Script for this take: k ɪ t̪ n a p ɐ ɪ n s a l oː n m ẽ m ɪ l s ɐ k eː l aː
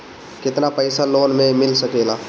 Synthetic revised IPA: k ɪ t̪ n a p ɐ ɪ s a l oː n m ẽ m ɪ l s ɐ k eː l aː